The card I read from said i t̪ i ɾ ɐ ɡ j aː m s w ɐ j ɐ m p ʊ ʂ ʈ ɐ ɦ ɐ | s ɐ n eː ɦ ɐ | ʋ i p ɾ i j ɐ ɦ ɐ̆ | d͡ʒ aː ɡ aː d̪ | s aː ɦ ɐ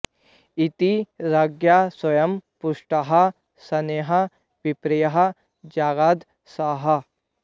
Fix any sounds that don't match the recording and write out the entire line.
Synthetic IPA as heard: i t̪ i ɾ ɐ ɡ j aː s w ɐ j ɐ m p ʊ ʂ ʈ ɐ ɦ ɐ | s ɐ n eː ɦ ɐ | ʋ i p ɾ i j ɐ ɦ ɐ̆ | d͡ʒ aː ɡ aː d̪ | s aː ɦ ɐ